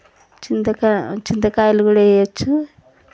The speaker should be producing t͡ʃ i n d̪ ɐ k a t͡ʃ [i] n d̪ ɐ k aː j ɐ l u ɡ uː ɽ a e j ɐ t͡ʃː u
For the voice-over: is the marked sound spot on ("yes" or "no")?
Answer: yes